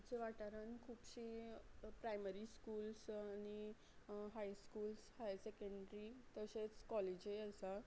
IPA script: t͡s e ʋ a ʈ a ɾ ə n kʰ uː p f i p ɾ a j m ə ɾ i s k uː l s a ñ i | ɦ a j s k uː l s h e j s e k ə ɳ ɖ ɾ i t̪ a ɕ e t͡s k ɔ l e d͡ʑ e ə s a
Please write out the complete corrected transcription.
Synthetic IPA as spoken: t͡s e ʋ a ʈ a ɾ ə n kʰ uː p ɕ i p ɾ a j m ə ɾ i s k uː l s a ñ i | ɦ a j s k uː l s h a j s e k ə ɳ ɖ ɾ i t̪ ə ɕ e t͡s k ɔ l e d͡ʑ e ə s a